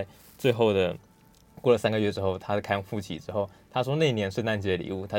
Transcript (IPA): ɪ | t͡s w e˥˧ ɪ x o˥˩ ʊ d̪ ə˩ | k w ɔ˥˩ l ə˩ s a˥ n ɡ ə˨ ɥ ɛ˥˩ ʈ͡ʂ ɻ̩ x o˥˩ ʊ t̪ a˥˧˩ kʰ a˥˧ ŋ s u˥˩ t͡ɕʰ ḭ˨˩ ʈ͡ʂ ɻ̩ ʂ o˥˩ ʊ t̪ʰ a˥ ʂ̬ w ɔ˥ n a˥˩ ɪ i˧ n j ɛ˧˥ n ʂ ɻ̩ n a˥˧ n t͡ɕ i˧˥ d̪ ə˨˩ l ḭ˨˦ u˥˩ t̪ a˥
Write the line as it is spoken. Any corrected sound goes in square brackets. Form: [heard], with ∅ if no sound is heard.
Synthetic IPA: ɪ | t͡s w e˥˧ ɪ x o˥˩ ʊ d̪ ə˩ | k w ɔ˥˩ l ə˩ s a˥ n ɡ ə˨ ɥ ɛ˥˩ ʈ͡ʂ ɻ̩ x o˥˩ ʊ [t̪ʰ] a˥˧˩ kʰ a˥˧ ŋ [f] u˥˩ t͡ɕʰ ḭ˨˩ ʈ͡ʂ ɻ̩ [x] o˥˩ ʊ t̪ʰ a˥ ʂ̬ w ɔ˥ n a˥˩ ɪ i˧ n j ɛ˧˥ n ʂ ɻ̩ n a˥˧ n t͡ɕ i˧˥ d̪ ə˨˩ l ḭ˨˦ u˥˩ [t̪ʰ] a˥